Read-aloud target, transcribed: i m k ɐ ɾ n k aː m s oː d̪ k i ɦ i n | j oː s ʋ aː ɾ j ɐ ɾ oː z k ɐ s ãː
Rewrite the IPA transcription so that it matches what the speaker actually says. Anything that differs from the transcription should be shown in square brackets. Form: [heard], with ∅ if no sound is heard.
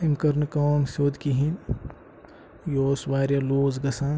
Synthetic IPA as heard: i m k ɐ ɾ n k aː m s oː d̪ k i ɦ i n | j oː s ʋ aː ɾ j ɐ [l] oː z [ɡ] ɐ s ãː